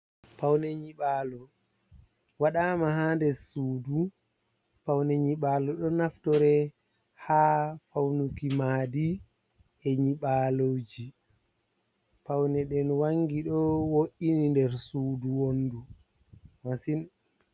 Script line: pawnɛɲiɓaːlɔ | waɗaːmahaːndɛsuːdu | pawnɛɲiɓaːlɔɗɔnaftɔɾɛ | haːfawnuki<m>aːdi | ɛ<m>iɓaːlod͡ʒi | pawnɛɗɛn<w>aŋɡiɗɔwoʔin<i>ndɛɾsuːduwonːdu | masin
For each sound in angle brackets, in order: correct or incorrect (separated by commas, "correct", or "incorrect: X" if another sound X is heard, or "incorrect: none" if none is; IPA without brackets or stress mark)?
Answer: correct, incorrect: ɲ, correct, correct